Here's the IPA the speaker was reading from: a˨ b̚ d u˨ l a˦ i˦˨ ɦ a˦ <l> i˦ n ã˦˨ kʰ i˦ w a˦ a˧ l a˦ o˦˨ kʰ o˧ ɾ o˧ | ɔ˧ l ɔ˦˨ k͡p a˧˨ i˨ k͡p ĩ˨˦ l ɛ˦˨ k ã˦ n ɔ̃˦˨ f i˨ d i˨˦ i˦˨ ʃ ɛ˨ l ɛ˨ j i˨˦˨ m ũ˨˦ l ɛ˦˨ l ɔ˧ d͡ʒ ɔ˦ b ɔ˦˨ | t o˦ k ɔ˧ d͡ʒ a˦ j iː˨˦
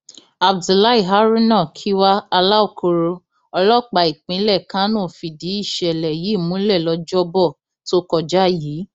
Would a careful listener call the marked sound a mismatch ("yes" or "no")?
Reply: yes